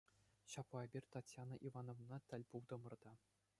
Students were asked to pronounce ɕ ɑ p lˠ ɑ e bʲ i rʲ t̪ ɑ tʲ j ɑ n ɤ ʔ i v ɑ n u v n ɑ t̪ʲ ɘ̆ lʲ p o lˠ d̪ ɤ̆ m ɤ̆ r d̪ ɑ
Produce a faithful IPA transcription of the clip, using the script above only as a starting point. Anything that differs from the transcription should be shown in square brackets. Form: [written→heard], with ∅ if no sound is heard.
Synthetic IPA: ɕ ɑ p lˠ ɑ e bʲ i rʲ t̪ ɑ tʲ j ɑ n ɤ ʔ i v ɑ n [u→o] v n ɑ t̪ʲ ɘ̆ lʲ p [o→u] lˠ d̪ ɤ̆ m ɤ̆ r d̪ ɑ